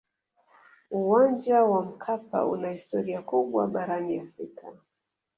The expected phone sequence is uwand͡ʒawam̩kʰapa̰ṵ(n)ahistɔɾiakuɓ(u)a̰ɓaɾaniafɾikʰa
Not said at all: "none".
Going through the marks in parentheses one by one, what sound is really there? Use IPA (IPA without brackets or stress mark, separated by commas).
n, w